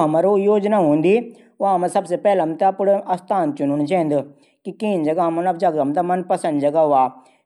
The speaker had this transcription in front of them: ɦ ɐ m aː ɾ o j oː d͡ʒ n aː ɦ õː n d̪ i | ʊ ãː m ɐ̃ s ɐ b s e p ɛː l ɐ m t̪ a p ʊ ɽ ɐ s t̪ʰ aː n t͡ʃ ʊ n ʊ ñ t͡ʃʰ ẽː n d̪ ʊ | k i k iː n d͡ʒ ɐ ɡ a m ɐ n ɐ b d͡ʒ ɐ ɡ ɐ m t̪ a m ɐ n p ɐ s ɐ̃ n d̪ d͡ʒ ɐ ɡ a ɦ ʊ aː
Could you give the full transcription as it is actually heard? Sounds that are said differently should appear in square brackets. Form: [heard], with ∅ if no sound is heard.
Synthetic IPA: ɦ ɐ m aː ɾ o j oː d͡ʒ n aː ɦ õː n d̪ i | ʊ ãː m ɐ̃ s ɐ b s e p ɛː l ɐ m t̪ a p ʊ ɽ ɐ s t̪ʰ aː n t͡ʃ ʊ n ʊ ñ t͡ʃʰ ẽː n d̪ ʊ | k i k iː n d͡ʒ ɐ ɡ a m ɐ n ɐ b d͡ʒ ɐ ɡ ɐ m t̪ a m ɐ n p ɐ s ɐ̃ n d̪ d͡ʒ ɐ ɡ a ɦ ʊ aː